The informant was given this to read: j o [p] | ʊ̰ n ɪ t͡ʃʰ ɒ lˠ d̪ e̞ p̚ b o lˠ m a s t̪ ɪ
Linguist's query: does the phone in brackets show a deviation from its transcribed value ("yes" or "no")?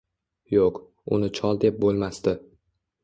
yes